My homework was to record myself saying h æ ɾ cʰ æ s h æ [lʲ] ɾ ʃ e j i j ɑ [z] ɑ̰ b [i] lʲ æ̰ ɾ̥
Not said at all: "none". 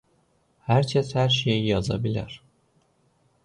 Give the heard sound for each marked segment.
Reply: none, z, i

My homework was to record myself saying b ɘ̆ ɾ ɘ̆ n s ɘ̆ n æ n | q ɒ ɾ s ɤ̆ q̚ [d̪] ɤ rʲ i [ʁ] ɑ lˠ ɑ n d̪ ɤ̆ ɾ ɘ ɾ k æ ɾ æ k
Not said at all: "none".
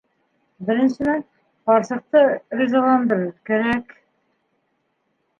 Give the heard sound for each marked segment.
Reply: t̪, z

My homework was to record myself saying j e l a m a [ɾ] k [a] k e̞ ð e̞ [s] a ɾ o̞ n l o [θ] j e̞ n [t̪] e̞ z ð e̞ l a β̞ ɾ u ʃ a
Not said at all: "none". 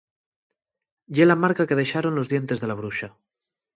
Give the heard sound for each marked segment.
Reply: ɾ, a, ʃ, ð, t̪

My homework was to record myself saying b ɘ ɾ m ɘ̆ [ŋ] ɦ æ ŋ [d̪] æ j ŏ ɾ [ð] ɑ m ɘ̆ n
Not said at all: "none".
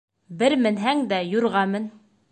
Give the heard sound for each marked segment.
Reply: n, d̪, ʁ

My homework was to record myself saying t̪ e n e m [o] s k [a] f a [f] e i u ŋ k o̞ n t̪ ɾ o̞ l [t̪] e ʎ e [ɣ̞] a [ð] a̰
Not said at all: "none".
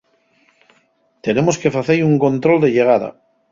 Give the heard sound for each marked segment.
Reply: o, e, θ, d̪, ɣ̞, ð

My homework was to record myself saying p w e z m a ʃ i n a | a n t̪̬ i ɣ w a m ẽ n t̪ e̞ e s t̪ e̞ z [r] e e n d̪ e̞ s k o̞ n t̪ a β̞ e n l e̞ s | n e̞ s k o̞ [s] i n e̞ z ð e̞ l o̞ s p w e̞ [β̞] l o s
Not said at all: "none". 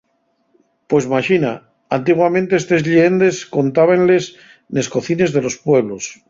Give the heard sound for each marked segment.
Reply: ʎ, θ, β̞

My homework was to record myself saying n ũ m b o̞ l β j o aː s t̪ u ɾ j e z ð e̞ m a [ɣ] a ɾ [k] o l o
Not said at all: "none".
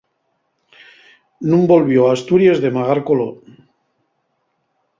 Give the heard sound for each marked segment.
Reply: ɣ, k

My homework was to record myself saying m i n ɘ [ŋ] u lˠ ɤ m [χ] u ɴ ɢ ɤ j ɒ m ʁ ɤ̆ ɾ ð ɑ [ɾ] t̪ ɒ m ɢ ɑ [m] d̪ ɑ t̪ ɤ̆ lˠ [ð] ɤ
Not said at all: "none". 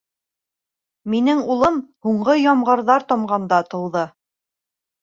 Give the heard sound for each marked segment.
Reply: ŋ, h, ɾ, n, ð

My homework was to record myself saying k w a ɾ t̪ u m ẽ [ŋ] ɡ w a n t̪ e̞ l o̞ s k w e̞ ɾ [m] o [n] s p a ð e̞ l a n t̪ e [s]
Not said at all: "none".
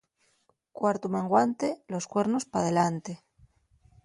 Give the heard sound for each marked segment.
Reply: ŋ, n, none, none

